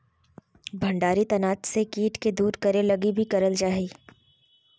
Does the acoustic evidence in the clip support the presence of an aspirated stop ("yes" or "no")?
no